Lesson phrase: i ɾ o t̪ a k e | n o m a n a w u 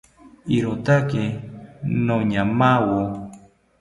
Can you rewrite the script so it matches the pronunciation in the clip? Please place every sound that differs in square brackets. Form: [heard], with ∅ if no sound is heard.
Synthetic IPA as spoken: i ɾ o t̪ a k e | n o [ɲ] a [m] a w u